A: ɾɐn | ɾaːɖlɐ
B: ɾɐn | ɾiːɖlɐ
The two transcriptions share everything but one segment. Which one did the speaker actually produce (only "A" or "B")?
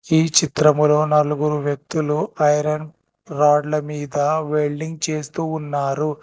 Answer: A